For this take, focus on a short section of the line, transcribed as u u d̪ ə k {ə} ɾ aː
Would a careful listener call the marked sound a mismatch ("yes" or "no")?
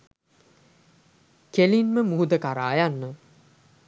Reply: yes